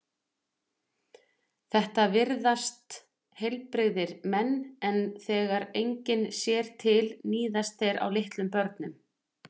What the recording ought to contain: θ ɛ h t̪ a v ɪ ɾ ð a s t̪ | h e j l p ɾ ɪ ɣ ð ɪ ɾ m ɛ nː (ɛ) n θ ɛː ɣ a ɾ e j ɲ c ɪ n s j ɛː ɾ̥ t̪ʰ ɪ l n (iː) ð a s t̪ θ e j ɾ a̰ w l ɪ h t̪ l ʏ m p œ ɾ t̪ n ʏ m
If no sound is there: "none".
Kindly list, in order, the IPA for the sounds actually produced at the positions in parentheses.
ɛ, iː

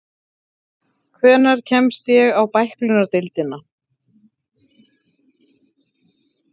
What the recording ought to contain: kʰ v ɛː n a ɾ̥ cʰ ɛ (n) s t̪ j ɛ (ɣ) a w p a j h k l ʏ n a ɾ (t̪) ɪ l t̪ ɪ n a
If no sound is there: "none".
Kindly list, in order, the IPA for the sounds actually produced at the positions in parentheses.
m, ɣ, t̪

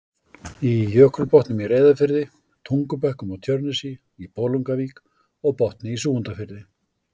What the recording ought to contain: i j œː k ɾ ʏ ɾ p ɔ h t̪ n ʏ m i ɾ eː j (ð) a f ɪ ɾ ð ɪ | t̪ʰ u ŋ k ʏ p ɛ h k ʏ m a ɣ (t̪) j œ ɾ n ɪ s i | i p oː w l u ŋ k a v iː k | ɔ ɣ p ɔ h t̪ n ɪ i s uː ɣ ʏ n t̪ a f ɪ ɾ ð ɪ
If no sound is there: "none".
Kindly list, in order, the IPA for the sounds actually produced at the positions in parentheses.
ð, t̪ʰ

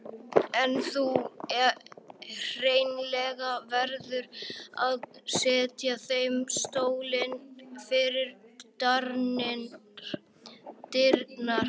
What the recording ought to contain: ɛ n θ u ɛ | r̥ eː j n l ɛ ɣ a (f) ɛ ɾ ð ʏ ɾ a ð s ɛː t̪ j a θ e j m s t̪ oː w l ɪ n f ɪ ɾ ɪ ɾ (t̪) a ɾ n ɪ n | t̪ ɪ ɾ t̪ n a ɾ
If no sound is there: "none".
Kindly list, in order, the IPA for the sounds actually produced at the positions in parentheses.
v, t̪

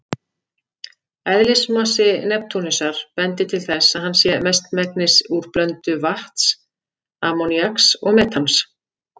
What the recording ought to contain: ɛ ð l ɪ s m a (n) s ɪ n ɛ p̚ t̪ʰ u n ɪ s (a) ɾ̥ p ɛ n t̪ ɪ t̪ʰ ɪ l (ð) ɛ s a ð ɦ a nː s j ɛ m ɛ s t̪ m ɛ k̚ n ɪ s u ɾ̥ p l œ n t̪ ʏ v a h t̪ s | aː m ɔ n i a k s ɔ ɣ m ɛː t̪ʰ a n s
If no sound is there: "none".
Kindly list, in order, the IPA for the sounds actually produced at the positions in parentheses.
none, a, θ

